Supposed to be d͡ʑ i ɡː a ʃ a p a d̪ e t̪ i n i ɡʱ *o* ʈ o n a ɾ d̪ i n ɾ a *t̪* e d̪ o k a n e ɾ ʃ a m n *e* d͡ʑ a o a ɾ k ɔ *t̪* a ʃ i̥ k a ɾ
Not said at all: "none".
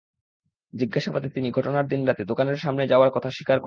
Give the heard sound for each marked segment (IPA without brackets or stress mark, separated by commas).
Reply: ɔ, t̪, e, t̪ʰ